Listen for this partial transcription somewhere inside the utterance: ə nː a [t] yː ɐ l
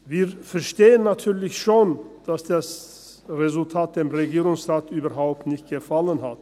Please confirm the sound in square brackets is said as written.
no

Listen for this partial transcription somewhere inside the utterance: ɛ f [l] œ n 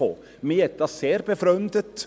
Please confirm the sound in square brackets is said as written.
no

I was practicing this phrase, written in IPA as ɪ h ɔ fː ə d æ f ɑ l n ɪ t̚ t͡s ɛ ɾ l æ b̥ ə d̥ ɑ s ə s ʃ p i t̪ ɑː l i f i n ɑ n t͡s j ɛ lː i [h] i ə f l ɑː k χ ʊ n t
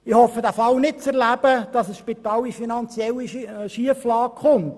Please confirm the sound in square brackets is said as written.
no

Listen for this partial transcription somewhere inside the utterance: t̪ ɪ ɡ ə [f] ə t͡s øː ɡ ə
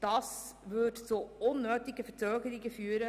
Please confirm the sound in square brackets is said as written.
yes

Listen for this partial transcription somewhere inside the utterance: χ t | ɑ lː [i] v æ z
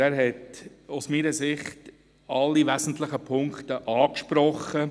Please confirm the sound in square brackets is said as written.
yes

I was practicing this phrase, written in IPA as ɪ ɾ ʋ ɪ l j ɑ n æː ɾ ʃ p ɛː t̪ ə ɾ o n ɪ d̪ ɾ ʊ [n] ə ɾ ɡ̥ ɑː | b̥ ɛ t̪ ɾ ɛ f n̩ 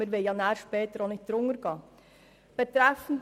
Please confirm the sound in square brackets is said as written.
no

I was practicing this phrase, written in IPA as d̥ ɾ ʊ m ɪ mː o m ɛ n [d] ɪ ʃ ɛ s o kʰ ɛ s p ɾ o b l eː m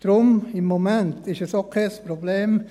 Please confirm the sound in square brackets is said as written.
no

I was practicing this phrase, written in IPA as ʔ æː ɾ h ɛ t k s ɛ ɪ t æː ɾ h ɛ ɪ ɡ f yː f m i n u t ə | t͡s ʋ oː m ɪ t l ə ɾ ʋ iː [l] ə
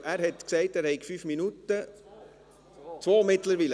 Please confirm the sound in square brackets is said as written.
yes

